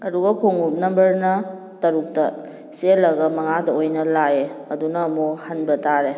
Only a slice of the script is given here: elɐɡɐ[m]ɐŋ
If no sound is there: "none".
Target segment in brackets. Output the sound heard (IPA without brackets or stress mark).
m